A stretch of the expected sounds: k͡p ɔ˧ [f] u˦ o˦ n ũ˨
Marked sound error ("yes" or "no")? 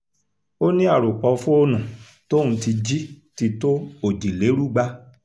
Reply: no